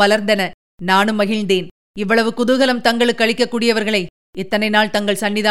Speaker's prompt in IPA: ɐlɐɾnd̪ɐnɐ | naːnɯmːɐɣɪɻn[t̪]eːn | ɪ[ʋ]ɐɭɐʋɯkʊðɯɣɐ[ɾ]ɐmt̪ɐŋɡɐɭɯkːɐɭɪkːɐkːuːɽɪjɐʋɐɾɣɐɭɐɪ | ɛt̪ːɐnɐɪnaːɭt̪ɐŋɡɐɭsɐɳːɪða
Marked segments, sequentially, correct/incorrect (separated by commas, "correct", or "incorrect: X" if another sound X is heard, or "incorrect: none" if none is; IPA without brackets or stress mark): incorrect: d̪, incorrect: ʋː, incorrect: l